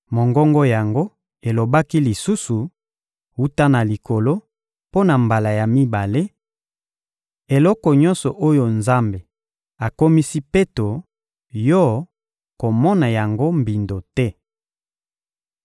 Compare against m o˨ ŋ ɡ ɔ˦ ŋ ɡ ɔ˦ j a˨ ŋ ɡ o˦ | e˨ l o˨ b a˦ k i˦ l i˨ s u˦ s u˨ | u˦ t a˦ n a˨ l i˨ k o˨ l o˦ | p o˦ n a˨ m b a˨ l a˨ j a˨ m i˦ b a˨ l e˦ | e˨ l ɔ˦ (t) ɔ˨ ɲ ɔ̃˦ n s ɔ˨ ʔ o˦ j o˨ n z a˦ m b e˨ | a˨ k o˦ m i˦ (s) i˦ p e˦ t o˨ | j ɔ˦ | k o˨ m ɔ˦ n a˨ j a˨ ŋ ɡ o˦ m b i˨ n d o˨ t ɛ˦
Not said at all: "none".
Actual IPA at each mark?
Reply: k, s

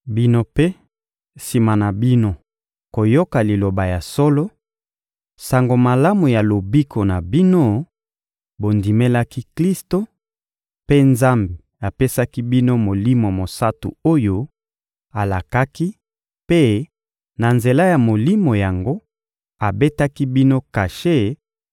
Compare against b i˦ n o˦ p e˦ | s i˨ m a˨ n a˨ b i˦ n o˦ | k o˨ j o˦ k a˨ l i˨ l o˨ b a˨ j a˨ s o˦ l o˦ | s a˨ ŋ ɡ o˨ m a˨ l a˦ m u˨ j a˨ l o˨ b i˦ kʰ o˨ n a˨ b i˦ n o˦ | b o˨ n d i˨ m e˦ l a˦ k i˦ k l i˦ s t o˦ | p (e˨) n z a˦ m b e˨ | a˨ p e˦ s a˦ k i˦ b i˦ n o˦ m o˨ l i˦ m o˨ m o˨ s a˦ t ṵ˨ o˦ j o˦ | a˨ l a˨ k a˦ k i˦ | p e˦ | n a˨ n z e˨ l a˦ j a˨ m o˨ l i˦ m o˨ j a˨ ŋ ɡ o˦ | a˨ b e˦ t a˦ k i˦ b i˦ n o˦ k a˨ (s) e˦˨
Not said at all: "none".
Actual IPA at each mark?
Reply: e˦, ʃ

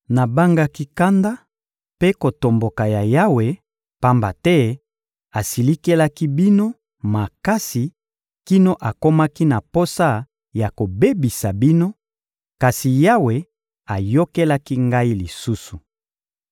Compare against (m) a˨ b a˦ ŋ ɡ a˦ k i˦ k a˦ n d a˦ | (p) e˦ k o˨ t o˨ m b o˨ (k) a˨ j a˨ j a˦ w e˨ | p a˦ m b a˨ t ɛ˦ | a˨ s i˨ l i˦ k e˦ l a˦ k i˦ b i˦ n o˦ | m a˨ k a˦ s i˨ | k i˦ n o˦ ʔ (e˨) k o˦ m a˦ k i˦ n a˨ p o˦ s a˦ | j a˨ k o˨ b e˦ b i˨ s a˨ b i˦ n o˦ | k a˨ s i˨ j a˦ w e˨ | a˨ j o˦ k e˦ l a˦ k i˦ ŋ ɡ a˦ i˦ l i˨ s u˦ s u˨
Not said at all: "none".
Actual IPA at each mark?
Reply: n, p, k, a˨

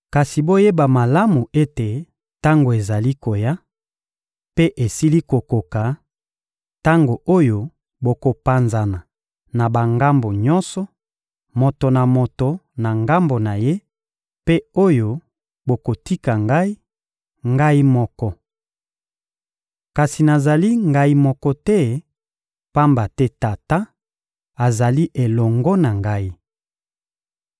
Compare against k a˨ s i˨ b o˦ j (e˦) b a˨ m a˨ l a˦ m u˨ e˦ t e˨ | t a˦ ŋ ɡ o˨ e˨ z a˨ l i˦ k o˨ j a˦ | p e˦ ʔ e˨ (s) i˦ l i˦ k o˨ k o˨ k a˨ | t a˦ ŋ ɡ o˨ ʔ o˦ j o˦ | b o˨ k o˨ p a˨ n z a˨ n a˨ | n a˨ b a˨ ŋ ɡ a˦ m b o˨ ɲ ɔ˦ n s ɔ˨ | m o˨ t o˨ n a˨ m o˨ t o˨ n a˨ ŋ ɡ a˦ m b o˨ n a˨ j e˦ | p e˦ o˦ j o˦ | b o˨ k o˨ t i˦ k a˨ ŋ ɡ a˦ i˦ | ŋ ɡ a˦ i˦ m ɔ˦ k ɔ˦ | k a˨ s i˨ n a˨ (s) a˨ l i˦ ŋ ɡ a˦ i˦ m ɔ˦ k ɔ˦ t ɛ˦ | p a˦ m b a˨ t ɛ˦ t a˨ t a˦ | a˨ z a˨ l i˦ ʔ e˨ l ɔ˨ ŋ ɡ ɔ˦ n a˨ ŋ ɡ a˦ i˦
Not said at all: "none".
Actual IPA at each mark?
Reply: e˦, s, z

